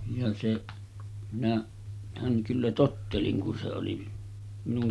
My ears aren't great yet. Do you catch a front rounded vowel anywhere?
yes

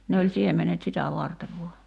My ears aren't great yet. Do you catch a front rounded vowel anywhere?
no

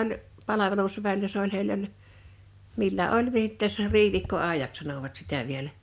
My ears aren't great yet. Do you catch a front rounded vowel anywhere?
no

